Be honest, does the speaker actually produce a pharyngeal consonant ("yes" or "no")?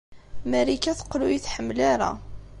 yes